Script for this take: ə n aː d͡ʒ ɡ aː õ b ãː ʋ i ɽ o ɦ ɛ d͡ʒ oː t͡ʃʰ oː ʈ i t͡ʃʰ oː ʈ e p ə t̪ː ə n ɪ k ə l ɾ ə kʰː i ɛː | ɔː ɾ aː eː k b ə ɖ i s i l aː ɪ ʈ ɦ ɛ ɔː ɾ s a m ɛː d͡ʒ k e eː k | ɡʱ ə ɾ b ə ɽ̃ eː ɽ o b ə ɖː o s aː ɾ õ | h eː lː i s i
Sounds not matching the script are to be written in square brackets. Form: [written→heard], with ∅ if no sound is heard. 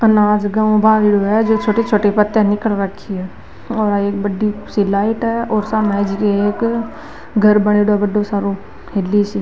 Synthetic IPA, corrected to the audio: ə n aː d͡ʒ ɡ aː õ b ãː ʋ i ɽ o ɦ ɛ d͡ʒ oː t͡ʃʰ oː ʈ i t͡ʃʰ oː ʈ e p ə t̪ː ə n ɪ k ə l ɾ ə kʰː i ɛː | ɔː ɾ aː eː k b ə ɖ i s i l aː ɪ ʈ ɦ ɛ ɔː ɾ s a m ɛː d͡ʒ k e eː k | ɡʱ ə ɾ b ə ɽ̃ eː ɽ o b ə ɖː o s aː ɾ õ | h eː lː i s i